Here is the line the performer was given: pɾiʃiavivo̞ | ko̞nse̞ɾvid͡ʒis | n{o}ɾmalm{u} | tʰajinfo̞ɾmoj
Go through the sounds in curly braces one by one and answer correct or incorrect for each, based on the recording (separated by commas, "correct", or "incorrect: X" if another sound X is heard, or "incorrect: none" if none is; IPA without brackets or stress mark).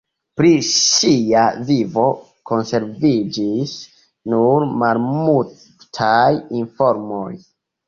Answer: incorrect: u, correct